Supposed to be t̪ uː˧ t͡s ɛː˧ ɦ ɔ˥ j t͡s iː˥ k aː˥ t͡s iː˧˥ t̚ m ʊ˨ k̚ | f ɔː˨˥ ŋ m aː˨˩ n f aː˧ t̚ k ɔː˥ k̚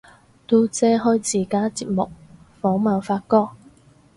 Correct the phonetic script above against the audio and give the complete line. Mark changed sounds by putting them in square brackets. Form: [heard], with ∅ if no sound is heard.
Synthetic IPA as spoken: t̪ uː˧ t͡s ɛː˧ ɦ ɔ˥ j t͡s [iː˨˩] k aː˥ t͡s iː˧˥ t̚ m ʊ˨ k̚ | f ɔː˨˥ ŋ m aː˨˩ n f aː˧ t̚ k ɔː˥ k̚